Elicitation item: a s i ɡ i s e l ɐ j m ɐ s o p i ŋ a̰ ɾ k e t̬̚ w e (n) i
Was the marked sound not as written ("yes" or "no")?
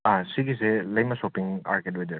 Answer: yes